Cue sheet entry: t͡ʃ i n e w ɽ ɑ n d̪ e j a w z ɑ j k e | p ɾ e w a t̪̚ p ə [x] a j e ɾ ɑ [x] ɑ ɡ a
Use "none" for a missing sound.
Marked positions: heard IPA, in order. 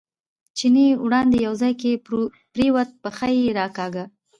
x, k

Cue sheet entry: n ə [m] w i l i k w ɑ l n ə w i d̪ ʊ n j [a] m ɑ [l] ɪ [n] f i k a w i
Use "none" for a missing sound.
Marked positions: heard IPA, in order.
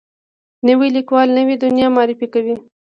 none, ɑ, ɾ, none

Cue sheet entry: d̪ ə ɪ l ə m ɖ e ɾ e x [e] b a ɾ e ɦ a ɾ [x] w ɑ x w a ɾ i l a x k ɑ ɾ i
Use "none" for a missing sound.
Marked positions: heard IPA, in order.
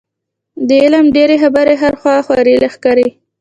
a, x

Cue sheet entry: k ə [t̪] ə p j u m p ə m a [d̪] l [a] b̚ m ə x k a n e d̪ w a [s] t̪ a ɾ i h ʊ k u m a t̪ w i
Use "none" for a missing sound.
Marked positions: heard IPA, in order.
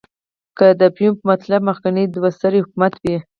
d̪, t̪, a, s

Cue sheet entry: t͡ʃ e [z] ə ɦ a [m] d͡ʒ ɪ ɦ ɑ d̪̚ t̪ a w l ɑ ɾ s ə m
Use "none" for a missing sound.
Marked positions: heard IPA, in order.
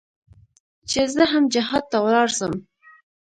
z, m

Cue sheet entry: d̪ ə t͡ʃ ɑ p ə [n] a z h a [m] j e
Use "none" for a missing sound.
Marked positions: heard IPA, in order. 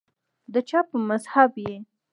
m, b

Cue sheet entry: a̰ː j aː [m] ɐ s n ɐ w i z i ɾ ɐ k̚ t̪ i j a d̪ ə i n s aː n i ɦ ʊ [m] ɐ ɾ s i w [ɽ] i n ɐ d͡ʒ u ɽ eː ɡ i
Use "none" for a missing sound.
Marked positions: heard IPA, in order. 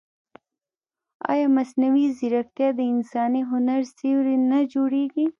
m, n, ɾ

